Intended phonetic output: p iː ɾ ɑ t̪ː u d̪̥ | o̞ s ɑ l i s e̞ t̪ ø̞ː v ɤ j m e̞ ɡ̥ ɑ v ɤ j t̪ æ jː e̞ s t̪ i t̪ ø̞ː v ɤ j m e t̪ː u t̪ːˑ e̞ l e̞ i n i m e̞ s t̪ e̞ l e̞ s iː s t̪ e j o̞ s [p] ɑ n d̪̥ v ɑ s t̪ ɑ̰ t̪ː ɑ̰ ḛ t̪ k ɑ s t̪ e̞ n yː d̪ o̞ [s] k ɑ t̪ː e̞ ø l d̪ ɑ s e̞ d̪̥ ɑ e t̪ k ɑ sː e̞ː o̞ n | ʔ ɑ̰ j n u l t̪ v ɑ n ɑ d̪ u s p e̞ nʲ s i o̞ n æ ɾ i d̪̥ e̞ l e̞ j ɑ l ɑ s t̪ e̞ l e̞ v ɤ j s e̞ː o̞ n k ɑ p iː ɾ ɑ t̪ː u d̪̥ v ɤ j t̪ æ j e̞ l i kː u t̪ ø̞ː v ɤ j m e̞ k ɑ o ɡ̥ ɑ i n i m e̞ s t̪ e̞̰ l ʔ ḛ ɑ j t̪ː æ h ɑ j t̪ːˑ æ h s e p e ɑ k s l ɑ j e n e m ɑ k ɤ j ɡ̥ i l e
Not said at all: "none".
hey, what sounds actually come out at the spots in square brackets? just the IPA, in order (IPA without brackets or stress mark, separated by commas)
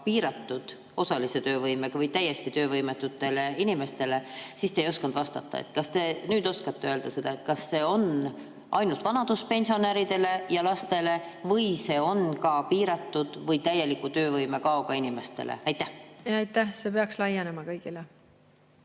k, s